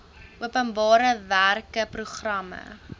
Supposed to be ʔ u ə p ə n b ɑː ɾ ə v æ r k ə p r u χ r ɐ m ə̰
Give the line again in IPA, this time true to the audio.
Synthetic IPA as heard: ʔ u ə p ə n b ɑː ɾ ə v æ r k ə p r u χ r ɐ m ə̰